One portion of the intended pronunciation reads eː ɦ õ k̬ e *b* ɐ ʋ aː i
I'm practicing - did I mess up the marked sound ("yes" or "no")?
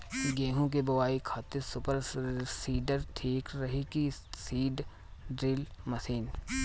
no